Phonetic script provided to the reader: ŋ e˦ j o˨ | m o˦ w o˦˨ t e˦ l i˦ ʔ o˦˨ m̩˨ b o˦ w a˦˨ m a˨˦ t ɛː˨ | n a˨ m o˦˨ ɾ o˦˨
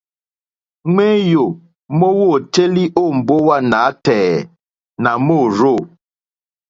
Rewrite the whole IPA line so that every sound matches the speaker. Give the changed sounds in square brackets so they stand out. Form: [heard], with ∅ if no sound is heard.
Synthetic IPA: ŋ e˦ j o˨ | m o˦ w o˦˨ t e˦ l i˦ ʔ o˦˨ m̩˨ b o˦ w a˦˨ [n] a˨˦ t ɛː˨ | n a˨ m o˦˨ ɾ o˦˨